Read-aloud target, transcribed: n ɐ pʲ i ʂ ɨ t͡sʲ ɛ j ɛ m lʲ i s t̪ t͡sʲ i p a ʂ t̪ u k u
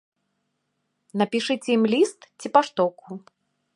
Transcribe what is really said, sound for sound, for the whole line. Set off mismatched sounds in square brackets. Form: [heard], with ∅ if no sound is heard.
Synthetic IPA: n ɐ pʲ i ʂ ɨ t͡sʲ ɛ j [i] m lʲ i s t̪ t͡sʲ i p a ʂ t̪ [ɔ] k u